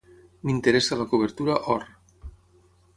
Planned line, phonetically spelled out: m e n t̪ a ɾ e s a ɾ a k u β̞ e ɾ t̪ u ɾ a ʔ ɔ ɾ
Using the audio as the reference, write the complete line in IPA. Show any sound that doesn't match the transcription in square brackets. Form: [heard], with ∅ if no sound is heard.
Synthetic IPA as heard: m [i] n t̪ [e] ɾ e s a [l] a k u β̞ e ɾ t̪ u ɾ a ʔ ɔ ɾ